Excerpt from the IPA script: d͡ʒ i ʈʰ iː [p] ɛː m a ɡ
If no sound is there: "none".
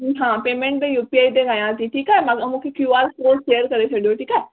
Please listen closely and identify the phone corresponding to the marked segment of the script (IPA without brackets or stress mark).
k